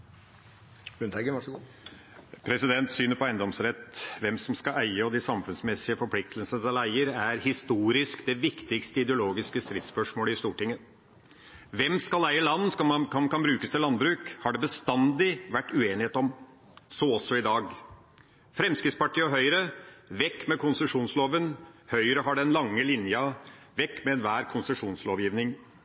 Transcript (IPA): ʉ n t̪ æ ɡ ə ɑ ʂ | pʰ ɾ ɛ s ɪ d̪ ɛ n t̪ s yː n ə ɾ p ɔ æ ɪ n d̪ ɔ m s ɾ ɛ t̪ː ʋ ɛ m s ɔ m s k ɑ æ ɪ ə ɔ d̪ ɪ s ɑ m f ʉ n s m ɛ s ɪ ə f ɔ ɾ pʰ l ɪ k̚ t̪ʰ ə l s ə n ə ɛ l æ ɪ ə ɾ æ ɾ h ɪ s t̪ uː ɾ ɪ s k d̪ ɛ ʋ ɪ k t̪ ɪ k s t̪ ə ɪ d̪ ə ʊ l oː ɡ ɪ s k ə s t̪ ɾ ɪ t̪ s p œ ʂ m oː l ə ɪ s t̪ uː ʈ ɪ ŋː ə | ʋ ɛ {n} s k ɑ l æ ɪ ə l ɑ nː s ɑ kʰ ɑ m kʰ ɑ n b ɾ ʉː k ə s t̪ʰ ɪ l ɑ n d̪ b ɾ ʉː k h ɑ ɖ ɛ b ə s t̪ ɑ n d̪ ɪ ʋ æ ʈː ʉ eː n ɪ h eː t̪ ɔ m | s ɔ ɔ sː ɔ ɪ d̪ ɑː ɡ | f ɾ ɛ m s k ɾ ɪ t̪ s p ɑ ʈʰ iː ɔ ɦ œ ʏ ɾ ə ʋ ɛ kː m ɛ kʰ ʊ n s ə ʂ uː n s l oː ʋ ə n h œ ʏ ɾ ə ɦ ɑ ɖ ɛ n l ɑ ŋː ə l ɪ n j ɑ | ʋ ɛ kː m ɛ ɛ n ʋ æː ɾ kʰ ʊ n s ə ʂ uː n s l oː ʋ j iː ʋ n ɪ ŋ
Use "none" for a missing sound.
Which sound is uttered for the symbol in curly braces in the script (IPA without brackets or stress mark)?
m